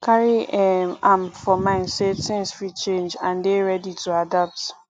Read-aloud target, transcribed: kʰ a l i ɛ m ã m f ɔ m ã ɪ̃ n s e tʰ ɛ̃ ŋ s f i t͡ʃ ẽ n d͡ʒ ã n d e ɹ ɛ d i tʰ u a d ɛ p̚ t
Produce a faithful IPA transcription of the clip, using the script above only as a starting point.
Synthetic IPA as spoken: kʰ a ɹ i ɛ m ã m f ɔ m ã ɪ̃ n s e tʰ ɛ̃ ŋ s f i t͡ʃ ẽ n d͡ʒ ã n d e ɹ ɛ d i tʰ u a d a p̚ t